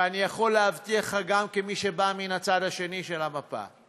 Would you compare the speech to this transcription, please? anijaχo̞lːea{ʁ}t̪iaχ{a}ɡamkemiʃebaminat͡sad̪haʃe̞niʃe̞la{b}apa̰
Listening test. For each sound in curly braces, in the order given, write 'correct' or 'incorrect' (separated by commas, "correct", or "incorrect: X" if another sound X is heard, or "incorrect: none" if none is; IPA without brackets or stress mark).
incorrect: v, correct, incorrect: m